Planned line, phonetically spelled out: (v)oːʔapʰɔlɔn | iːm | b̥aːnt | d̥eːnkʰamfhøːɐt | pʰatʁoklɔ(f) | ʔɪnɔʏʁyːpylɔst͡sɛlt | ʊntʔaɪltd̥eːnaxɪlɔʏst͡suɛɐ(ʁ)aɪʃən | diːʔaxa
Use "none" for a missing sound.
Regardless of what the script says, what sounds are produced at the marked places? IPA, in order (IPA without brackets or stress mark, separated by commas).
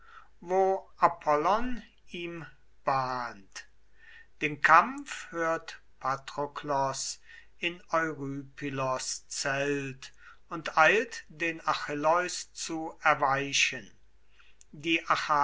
v, s, v